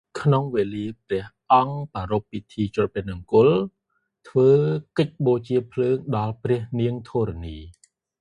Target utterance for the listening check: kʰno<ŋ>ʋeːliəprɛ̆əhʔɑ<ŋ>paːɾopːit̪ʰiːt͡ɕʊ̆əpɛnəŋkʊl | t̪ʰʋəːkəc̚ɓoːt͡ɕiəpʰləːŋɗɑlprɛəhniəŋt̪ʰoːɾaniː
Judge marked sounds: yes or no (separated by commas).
yes, yes